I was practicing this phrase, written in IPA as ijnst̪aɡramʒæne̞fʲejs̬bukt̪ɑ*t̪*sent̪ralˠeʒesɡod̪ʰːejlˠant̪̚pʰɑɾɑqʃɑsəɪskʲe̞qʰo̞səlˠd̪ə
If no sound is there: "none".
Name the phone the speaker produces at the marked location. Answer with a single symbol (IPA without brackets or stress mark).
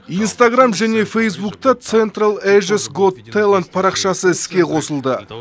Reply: t̪